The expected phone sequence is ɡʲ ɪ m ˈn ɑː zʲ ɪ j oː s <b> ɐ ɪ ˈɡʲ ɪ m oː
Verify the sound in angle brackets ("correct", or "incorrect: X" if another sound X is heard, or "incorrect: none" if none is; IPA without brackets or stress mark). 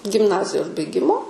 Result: correct